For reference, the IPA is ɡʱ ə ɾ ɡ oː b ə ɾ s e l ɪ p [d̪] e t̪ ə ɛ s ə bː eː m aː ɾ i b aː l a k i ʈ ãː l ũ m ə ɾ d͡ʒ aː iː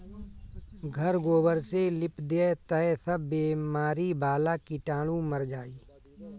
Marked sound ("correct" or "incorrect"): correct